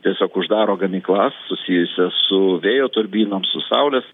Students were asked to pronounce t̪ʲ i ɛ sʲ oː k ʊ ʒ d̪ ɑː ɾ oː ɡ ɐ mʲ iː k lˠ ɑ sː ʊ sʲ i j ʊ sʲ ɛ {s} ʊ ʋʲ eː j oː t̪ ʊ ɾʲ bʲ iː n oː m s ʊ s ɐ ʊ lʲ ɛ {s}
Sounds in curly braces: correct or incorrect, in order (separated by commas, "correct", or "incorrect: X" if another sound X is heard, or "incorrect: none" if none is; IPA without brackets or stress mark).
correct, correct